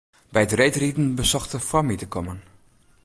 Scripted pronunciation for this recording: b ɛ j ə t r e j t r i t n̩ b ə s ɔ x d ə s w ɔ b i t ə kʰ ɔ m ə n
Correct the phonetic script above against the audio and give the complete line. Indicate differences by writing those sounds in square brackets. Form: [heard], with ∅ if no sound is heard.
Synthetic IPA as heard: b ɛ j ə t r e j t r i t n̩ b ə s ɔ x [t] ə [f] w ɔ [m] i t ə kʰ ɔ m ə n